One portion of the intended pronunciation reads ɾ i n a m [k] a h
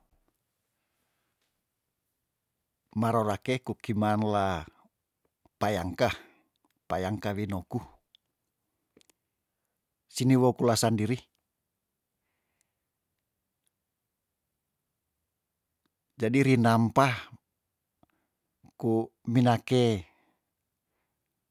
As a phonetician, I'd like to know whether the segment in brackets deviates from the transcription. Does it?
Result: yes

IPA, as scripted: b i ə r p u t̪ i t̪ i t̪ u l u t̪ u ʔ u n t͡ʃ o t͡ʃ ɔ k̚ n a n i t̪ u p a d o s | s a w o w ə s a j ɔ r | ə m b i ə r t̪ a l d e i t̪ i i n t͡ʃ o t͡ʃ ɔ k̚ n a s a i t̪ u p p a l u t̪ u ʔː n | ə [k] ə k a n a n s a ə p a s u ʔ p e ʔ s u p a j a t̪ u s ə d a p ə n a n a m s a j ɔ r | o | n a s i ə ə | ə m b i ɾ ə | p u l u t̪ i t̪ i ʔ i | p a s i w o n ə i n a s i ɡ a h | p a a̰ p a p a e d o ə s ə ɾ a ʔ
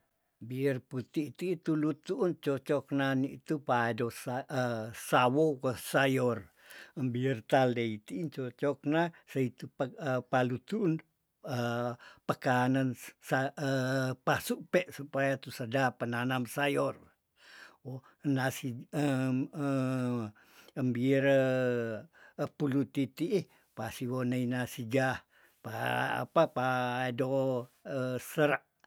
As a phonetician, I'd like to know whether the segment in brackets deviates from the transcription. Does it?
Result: yes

